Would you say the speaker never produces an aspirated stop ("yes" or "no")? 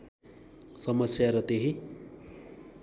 yes